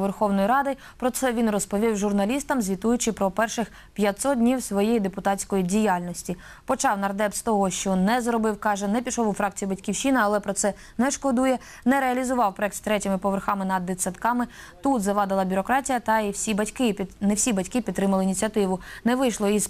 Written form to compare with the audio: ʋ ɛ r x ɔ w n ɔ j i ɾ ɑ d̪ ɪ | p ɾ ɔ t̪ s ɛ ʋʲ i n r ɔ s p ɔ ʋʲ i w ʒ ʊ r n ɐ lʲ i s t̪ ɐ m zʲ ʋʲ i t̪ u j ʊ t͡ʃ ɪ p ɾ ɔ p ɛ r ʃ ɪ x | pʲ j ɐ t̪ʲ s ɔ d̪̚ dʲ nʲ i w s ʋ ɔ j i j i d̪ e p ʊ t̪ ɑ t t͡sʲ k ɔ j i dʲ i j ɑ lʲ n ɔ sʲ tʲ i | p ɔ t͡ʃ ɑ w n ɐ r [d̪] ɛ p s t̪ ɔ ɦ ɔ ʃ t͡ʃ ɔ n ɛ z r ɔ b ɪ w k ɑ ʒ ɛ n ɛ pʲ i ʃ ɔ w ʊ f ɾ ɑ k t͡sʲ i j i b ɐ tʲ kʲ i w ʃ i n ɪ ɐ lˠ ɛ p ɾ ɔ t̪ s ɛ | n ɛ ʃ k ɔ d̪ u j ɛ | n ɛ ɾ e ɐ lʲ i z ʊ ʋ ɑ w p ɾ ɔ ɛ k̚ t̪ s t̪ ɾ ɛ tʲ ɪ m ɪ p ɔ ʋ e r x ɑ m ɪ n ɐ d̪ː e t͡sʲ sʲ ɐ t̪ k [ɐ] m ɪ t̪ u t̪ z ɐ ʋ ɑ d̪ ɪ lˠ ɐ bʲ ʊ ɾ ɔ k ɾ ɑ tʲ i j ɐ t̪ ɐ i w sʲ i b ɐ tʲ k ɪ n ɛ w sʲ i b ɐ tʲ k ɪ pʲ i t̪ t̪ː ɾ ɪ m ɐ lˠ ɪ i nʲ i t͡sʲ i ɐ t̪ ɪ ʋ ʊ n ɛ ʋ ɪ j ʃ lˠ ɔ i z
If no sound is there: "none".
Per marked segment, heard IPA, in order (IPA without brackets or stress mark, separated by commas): d̪, ɑ